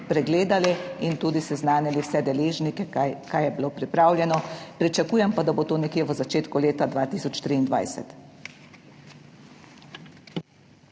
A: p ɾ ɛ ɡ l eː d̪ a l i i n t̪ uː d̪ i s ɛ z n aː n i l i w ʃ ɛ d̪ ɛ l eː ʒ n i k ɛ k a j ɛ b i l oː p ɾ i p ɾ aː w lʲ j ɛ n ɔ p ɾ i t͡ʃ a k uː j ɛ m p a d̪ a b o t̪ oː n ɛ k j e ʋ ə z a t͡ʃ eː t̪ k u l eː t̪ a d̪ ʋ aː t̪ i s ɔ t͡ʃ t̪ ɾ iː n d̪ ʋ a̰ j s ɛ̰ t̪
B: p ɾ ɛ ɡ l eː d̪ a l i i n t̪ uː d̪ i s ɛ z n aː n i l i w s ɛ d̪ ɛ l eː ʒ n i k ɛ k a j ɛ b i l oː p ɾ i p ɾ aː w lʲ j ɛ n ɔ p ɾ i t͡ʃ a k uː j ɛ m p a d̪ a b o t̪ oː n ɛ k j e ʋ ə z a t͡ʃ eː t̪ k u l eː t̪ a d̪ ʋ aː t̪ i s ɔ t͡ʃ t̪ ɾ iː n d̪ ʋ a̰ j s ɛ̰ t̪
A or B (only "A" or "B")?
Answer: B